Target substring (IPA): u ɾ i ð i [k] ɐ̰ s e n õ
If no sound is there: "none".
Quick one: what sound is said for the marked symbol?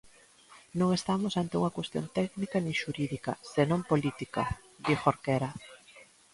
k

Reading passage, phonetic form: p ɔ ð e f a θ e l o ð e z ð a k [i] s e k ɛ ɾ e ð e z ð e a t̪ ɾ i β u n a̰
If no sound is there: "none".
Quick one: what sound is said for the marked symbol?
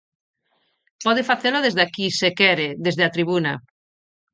i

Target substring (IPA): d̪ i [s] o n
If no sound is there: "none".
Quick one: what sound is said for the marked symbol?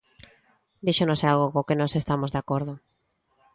ʃ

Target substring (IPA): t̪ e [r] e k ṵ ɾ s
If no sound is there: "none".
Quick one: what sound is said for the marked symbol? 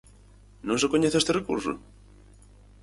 r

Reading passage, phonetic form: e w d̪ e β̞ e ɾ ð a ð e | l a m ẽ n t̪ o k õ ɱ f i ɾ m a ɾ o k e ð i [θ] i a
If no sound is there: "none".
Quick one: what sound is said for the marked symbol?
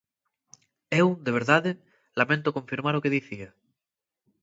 θ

